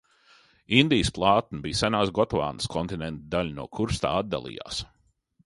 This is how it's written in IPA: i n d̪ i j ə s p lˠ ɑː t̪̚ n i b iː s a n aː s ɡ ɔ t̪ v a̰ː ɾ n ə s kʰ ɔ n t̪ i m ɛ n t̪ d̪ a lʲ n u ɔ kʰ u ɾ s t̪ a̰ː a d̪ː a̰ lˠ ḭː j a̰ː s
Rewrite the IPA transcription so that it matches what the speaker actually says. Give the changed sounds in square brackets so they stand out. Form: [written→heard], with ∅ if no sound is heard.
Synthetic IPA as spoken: i n d̪ i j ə s p lˠ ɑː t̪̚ n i b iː s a n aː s ɡ ɔ t̪ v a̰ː [ɾ→∅] n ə s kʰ ɔ n t̪ i [m→n] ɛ n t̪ d̪ a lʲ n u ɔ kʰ u ɾ s t̪ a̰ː a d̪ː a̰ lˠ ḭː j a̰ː s

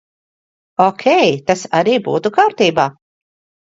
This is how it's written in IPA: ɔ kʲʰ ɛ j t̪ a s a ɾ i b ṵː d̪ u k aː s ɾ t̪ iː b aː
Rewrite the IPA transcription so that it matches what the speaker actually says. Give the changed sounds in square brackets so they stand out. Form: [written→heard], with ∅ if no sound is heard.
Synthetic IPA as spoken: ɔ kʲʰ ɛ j t̪ a s a ɾ [i→iː] b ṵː [d̪→t̪] u k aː [s→∅] ɾ t̪ iː b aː

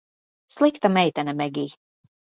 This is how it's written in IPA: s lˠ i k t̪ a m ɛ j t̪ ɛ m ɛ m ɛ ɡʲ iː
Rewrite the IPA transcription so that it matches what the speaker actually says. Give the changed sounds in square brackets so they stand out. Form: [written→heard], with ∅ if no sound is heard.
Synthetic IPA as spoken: s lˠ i k t̪ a m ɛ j t̪ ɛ [m→n] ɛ m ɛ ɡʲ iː

